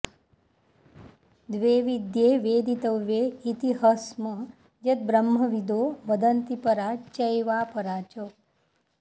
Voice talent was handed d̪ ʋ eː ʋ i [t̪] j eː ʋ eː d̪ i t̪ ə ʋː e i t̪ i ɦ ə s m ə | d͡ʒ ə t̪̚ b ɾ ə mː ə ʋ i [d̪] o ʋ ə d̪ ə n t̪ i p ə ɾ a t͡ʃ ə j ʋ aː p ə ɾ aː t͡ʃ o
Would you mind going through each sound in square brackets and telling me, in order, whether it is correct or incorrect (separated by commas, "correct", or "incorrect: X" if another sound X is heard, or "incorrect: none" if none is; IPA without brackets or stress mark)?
incorrect: d̪, correct